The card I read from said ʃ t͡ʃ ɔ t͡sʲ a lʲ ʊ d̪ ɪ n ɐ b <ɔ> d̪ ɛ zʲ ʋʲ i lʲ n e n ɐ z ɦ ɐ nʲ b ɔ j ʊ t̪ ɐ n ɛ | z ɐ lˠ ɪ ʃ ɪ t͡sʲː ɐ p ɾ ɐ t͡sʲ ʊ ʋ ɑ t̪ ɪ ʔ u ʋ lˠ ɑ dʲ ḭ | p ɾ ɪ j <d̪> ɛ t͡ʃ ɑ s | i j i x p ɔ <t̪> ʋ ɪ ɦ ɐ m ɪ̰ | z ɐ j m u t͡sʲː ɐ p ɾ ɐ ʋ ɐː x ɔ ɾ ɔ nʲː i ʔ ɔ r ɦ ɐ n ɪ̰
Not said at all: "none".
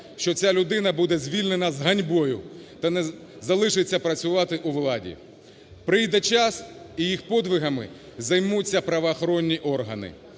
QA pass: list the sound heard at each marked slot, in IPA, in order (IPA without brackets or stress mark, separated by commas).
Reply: u, d̪, d̪